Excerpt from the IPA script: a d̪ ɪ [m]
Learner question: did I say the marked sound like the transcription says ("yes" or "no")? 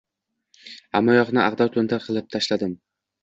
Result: yes